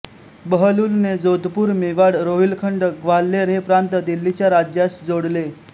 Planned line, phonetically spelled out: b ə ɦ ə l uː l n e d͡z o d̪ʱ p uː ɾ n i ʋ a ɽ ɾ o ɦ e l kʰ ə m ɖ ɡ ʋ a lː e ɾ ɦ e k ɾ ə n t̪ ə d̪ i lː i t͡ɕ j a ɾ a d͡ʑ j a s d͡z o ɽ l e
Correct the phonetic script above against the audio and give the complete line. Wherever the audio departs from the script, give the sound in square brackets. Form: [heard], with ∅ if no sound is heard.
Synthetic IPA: b ə ɦ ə l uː l n e d͡z o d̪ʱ p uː ɾ [m] i ʋ a ɽ ɾ o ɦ [i] l kʰ ə [ɳ] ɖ ɡ ʋ a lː e ɾ ɦ e [p] ɾ [a] n t̪ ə d̪ i lː i t͡ɕ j a ɾ a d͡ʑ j a s d͡z o ɽ l e